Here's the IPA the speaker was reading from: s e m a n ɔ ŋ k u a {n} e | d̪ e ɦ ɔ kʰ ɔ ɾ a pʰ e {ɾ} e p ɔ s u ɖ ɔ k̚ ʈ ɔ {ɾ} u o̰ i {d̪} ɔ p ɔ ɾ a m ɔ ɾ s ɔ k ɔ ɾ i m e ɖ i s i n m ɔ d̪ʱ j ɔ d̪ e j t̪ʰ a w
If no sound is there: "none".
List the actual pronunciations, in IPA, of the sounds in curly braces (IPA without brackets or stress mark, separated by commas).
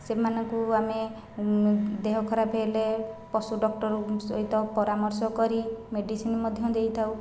m, l, ɾ, t̪